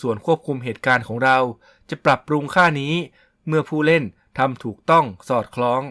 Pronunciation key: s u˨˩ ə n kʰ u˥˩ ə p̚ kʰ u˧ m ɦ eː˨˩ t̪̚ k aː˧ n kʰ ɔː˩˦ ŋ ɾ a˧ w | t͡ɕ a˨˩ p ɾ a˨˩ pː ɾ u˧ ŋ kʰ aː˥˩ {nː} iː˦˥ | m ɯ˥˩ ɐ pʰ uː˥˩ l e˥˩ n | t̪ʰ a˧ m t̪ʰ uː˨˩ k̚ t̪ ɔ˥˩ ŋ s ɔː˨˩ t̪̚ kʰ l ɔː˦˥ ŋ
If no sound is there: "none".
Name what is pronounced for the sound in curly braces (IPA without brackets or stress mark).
n